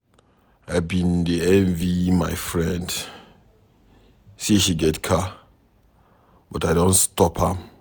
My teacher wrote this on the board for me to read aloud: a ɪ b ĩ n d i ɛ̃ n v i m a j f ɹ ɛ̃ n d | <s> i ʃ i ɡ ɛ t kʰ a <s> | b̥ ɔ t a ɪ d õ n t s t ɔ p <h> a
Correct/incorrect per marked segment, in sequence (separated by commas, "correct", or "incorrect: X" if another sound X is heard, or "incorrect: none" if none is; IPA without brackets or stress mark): correct, incorrect: none, correct